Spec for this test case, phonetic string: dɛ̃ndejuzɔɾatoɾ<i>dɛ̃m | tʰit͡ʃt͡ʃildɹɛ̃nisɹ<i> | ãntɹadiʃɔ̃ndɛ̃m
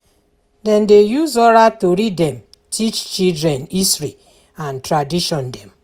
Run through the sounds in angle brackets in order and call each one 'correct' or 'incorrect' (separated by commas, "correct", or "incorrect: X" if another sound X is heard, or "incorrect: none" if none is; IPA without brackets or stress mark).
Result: correct, correct